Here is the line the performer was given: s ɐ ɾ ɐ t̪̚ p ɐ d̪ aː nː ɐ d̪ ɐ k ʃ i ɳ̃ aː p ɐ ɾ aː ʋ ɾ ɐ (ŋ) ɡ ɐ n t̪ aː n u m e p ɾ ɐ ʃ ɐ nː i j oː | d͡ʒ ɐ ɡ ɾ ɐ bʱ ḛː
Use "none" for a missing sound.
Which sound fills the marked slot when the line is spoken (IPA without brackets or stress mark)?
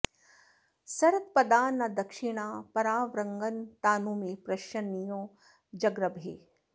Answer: ŋ